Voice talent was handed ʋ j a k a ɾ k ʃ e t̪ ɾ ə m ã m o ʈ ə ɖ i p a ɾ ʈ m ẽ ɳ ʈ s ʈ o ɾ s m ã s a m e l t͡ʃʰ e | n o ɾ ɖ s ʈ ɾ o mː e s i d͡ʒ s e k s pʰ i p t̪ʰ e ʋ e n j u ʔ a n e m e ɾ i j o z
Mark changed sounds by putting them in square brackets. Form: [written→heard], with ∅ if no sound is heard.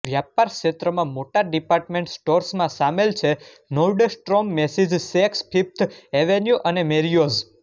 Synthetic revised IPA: ʋ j a [k→p] a ɾ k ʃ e t̪ ɾ ə m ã m o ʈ [ə→a] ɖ i p a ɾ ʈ m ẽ ɳ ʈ s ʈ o ɾ s m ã s a m e l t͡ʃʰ e | n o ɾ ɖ s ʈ ɾ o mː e s i d͡ʒ s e k s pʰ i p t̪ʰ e ʋ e n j u ʔ [a→ə] n e m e ɾ i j o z